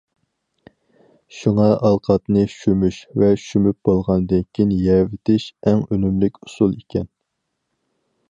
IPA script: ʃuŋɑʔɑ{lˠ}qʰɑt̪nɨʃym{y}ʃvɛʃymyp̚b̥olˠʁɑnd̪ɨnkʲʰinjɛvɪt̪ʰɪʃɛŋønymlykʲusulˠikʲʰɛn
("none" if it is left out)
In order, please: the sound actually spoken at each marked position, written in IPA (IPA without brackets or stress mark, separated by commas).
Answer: lˠ, y